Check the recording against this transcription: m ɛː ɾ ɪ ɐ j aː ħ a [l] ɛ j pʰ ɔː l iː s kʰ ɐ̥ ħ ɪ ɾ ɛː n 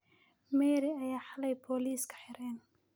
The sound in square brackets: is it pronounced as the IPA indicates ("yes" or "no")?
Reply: yes